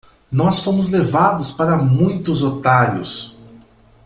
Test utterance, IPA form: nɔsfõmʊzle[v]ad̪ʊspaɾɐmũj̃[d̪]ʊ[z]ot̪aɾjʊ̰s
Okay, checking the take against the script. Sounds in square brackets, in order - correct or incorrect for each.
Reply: correct, incorrect, correct

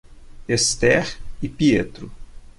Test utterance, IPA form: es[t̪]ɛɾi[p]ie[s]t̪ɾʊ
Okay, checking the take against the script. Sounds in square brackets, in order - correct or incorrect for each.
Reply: correct, correct, incorrect

